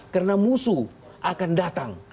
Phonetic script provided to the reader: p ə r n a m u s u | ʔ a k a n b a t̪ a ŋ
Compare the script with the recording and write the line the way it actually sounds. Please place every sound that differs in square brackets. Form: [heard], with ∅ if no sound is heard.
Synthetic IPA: [k] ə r n a m u s u | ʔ a k a n [d] a t̪ a ŋ